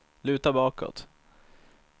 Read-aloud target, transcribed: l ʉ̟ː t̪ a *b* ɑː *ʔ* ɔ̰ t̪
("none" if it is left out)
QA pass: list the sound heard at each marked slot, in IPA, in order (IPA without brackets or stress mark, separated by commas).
b, k